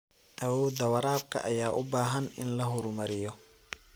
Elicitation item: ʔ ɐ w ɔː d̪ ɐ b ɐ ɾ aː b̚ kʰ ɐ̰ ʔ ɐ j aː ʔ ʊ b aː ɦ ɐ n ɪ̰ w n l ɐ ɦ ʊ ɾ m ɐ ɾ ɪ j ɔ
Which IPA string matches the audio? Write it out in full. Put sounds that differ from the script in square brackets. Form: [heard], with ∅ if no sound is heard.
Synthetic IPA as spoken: ʔ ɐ w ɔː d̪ ɐ [w] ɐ ɾ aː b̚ kʰ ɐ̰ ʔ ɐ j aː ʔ ʊ b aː ɦ ɐ n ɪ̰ [∅] n l ɐ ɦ ʊ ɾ m ɐ ɾ ɪ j ɔ